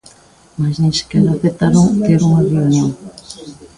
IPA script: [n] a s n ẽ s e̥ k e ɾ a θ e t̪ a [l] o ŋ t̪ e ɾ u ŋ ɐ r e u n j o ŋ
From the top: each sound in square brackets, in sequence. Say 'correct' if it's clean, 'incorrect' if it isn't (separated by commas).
incorrect, incorrect